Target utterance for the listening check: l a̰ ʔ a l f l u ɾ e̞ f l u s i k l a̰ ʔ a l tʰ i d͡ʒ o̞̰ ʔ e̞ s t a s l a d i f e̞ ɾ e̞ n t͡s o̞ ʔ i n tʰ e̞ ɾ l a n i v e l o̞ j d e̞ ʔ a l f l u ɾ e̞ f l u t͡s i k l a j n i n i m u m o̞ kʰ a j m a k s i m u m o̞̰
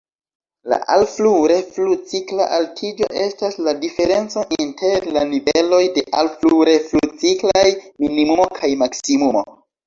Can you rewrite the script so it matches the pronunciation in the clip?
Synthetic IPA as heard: l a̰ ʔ a l f l u ɾ e̞ f l u t͡s i k l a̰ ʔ a l tʰ i d͡ʒ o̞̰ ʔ e̞ s t a s l a d i f e̞ ɾ e̞ n t͡s o̞ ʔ i n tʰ e̞ ɾ l a n i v e l o̞ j d e̞ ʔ a l f l u ɾ e̞ f l u t͡s i k l a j m i n i m u m o̞ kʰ a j m a k s i m u m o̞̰